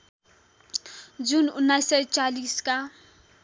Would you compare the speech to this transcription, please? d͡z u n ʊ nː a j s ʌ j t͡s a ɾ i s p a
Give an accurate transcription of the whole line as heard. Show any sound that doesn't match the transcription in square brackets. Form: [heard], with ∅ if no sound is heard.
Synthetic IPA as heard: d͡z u n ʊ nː a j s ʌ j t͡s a [l] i s [k] a

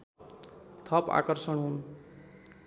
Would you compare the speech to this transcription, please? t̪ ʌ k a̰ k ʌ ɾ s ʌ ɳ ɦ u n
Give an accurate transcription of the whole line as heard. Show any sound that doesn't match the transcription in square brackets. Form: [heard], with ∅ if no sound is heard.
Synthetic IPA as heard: [t̪ʰ] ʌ [p] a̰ k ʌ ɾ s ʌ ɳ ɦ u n

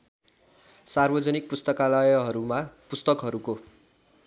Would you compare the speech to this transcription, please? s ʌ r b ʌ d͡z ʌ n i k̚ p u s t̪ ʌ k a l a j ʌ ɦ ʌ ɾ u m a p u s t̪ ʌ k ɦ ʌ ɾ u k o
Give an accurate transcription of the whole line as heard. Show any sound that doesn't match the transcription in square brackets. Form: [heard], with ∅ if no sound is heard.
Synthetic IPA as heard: s [a] r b ʌ d͡z ʌ n i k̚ p u s t̪ ʌ k a l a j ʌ ɦ ʌ ɾ u m a p u s t̪ ʌ k ɦ ʌ ɾ u k o

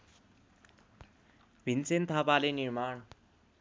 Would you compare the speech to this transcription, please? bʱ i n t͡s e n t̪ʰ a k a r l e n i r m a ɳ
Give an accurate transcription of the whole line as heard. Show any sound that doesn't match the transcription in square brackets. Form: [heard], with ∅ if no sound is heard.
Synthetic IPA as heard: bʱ i n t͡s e n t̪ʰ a [p] a [∅] l e n i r m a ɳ

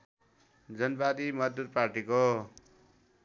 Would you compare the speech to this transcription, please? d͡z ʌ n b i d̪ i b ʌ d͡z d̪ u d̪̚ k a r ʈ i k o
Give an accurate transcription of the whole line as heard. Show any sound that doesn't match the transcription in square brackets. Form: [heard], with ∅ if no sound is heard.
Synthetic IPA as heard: d͡z ʌ n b [a] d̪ i [m] ʌ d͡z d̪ u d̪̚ [p] a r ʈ i k o

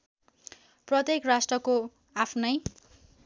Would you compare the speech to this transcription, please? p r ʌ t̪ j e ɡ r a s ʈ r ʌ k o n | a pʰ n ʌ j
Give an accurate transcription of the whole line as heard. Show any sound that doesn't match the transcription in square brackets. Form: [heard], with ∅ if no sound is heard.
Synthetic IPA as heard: p r ʌ t̪ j e [k] r a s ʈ r ʌ k o [∅] | a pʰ n ʌ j

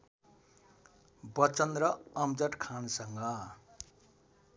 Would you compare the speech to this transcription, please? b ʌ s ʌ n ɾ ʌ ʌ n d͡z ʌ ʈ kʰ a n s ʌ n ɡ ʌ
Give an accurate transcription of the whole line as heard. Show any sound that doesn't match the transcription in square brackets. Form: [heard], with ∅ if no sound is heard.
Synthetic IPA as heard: b ʌ [t͡s] ʌ n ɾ ʌ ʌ [m] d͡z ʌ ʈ kʰ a n s ʌ [ŋ] ɡ ʌ

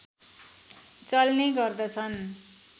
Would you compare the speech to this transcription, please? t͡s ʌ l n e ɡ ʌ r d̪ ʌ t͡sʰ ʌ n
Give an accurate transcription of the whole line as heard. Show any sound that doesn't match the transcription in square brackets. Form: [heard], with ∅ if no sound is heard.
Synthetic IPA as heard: t͡s ʌ l n e ɡ ʌ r d̪ ʌ t͡sʰ ʌ n

